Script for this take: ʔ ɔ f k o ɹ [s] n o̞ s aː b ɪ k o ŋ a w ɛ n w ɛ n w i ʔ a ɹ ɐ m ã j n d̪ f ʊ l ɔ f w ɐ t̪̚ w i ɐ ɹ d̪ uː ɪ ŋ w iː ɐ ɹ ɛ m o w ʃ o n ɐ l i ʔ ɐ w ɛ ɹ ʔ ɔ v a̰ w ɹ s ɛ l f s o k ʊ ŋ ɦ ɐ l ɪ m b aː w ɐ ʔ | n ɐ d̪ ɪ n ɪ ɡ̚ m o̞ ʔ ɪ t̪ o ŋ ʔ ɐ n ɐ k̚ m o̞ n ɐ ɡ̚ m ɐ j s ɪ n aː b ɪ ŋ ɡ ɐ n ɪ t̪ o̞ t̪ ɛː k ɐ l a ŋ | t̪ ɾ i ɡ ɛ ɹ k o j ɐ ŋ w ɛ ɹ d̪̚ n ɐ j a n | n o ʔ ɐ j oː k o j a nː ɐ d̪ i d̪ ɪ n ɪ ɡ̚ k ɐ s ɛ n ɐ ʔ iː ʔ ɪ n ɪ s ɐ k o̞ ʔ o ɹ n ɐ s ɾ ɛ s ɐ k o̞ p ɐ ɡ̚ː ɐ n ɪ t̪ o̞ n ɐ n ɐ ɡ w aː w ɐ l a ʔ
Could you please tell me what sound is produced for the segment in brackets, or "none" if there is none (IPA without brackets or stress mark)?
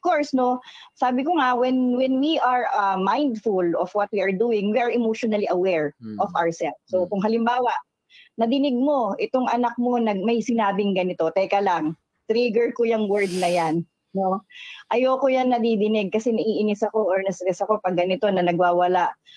s